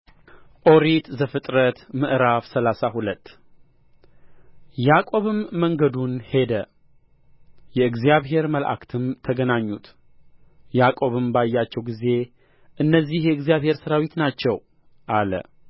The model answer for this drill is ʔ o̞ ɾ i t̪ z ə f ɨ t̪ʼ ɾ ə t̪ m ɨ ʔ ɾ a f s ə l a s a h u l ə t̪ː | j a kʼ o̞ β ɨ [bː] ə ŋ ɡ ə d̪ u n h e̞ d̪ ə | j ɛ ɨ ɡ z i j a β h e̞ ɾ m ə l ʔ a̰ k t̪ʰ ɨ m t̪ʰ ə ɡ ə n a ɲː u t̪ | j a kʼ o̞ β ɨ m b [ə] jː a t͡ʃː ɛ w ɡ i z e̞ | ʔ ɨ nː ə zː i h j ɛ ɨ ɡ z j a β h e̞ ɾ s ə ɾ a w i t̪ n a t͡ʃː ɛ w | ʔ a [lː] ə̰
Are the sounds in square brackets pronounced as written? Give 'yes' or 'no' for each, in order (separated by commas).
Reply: no, no, no